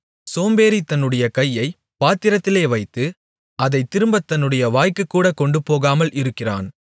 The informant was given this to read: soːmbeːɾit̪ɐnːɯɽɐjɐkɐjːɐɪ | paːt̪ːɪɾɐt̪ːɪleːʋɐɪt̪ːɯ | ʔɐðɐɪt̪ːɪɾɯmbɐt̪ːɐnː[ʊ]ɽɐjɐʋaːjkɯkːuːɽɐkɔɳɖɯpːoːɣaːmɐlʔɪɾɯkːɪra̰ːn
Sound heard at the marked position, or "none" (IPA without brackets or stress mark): ɯ